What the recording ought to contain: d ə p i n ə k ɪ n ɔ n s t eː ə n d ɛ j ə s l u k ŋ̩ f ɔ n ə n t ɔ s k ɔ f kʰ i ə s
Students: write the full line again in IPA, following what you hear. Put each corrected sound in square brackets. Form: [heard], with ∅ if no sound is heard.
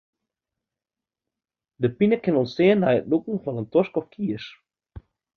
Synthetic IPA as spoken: d ə p i n ə k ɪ n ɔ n s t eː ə n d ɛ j ə [t] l u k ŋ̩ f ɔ n ə n t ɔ s k ɔ f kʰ i ə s